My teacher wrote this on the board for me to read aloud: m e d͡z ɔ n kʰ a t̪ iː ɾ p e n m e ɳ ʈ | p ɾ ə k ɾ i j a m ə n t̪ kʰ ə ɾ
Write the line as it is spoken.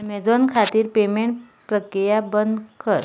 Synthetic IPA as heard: m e d͡z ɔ n kʰ a t̪ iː ɾ p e m e ɳ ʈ | p ɾ ə k ɾ i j a b ə n d̪ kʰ ə ɾ